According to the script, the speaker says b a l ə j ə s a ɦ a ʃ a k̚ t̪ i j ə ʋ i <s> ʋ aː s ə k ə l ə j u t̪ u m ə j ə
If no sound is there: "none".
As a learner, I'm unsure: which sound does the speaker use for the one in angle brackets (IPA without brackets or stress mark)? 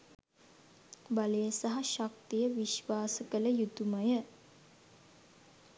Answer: ʃ